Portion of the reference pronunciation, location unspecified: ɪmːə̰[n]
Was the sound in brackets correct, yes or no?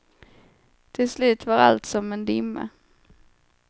no